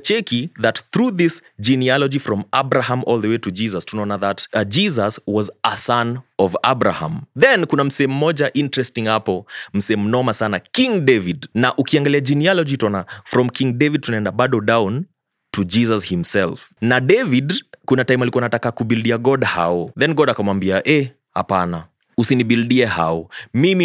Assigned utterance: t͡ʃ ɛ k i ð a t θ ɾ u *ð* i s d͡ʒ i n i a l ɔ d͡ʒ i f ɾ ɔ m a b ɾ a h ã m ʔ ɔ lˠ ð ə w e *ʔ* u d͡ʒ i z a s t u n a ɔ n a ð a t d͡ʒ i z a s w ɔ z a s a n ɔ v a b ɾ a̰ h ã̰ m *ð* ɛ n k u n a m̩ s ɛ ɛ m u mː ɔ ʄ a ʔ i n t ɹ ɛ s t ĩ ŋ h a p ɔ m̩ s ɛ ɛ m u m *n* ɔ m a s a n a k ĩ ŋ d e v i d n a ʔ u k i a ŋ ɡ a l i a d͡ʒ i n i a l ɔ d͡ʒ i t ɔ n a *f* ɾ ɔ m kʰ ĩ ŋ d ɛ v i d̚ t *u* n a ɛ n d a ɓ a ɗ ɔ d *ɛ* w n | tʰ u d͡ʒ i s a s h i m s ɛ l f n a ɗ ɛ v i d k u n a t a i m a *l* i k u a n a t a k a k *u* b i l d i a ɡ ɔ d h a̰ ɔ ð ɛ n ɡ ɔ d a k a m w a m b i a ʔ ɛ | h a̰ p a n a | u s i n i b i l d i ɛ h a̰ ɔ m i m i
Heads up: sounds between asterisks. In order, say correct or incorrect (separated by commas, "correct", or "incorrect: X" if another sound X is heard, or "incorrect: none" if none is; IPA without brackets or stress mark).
correct, incorrect: t, correct, correct, correct, correct, incorrect: a, correct, correct